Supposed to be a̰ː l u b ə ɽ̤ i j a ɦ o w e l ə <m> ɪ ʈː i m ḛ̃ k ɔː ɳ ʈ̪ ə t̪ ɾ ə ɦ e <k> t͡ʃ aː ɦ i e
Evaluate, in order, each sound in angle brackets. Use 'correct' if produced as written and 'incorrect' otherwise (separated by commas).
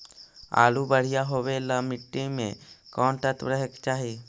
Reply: correct, correct